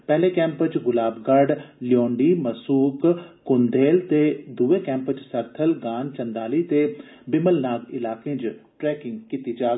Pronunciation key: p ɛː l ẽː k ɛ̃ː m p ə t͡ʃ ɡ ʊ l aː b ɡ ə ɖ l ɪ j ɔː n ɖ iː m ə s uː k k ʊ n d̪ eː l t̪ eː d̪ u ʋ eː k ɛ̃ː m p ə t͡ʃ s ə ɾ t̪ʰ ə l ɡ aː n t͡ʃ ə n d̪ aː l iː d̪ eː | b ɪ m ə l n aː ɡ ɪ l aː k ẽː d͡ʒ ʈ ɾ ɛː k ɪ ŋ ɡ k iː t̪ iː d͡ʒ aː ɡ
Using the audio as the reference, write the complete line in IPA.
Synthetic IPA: p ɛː l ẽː k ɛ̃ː m p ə t͡ʃ ɡ ʊ l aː b ɡ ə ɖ l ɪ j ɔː ɳ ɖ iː m ə s uː k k ʊ n d̪ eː l t̪ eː d̪ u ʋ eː k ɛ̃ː m p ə t͡ʃ s ə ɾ t̪ʰ ə l ɡ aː n t͡ʃ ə n d̪ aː l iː t̪ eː | b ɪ m ə l n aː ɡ ɪ l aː k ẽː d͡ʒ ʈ ɾ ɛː k ɪ ŋ ɡ k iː t̪ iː d͡ʒ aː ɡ